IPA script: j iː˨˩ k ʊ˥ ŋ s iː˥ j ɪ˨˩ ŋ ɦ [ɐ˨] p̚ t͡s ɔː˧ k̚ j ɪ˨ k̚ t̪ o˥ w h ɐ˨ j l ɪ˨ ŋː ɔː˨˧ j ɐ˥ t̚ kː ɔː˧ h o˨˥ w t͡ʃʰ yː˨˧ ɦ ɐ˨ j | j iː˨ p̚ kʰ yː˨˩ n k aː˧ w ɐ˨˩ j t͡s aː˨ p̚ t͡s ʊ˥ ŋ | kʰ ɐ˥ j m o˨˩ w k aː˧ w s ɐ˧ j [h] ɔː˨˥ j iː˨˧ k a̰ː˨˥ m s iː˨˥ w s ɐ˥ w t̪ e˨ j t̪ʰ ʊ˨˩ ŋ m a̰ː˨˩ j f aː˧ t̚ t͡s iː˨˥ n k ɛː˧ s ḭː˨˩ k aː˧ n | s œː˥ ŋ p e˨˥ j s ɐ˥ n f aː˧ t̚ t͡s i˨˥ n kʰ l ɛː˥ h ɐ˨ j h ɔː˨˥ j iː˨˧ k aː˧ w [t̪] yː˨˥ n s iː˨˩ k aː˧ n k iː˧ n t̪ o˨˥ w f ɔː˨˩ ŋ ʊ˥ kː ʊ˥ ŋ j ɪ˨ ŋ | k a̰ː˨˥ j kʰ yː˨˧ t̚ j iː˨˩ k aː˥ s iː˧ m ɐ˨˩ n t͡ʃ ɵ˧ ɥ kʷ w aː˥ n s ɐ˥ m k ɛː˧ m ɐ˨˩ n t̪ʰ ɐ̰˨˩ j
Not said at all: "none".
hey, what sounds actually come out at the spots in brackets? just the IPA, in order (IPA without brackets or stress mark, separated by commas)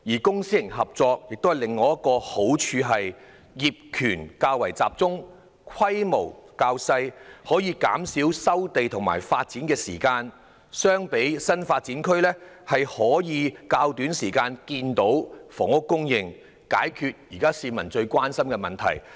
ɐ˨, h, t̪